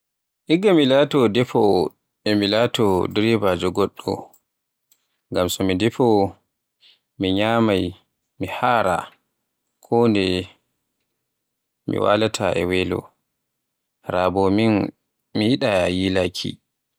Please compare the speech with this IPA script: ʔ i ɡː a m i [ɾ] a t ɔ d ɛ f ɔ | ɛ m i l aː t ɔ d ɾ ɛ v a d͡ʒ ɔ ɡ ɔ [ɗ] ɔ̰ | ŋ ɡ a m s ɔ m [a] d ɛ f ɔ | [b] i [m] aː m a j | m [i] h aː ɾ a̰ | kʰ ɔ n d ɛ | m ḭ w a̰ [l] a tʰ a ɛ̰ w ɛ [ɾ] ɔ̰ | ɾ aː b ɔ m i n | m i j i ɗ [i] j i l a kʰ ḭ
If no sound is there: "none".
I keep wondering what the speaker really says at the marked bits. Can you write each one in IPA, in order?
l, ɗː, i, m, ɲ, i, l, l, a

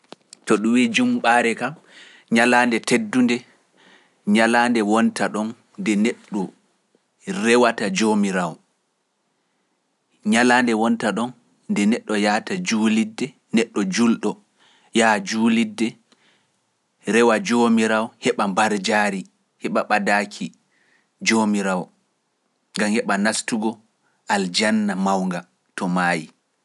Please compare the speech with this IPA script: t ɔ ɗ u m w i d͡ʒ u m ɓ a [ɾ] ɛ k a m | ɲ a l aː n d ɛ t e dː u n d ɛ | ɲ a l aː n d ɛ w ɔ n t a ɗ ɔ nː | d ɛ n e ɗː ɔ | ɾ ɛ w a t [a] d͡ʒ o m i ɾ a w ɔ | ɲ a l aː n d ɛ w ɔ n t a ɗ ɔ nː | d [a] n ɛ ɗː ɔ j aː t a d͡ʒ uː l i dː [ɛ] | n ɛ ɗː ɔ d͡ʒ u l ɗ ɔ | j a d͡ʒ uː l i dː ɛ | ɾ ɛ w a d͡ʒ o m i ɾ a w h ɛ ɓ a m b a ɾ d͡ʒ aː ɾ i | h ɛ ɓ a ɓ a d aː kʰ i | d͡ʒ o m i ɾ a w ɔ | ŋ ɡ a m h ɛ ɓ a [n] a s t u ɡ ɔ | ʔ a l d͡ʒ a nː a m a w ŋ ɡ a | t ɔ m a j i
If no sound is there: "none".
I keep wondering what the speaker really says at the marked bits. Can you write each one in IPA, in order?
ɾ, a, ɛ, ɛ, n

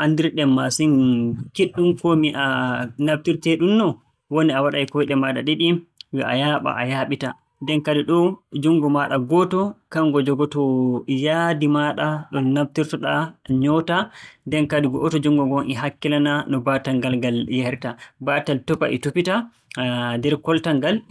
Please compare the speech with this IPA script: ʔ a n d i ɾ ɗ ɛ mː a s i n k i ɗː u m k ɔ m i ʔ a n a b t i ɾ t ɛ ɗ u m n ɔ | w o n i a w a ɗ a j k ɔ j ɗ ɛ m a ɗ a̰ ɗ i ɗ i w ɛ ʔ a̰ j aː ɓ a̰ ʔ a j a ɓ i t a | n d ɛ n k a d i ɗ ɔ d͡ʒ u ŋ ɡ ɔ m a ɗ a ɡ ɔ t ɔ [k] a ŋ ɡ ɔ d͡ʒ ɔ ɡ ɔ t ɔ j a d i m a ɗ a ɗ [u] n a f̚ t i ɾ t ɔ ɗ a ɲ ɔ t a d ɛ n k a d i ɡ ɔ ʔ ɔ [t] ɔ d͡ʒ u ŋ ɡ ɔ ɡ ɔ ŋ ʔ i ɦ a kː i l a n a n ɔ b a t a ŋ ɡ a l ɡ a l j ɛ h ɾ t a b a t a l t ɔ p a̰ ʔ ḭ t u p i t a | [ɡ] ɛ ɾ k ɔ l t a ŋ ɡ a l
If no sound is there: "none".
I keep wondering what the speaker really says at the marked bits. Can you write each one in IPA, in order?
k, ɔ, t, d

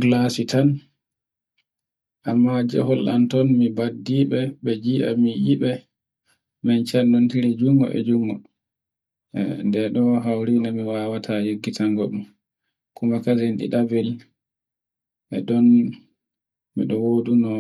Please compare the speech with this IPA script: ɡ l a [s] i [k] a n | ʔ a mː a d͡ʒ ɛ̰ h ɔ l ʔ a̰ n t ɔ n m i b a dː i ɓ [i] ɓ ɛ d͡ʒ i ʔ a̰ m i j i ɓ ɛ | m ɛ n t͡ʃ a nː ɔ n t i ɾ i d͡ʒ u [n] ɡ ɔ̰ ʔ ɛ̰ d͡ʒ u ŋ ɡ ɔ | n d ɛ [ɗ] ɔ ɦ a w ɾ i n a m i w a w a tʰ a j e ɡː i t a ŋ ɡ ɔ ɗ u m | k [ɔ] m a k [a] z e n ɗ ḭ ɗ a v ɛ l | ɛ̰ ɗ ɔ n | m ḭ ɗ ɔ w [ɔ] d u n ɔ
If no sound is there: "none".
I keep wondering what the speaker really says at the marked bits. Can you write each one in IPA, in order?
s, t, ɛ, ŋ, ɗ, u, a, o

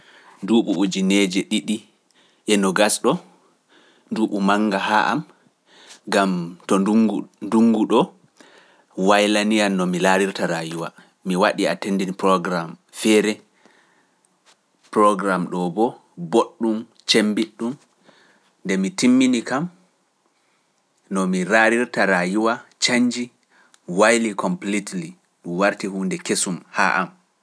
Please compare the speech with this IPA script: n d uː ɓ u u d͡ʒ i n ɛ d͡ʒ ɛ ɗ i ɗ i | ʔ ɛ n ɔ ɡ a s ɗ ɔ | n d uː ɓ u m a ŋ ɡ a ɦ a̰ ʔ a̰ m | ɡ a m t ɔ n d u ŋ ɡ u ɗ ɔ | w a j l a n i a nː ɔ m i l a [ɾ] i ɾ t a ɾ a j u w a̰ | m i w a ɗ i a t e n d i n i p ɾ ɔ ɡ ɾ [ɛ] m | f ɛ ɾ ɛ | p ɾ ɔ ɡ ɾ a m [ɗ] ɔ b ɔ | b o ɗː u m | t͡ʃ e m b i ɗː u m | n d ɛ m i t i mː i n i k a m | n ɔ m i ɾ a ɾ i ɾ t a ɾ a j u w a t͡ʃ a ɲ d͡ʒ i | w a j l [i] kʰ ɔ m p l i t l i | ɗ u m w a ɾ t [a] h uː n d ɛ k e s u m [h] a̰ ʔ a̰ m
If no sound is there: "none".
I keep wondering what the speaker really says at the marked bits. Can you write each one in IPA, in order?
ɾ, a, ɗ, i, i, h

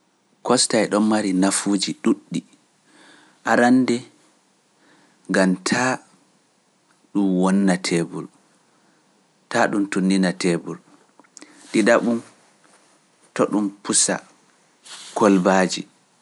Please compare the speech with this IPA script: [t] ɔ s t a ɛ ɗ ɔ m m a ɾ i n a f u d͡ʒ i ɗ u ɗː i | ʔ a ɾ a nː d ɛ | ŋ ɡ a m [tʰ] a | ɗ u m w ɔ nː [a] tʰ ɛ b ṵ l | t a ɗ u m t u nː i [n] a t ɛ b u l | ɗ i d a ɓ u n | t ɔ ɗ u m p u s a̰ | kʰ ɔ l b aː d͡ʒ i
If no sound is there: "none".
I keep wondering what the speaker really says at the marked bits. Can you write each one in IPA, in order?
k, tʰ, a, n

